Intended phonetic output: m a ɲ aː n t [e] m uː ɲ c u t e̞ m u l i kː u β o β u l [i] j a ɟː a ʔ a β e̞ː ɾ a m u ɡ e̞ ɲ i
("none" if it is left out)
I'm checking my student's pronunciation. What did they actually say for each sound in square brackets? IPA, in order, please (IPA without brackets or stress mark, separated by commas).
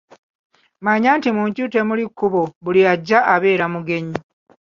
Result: i, i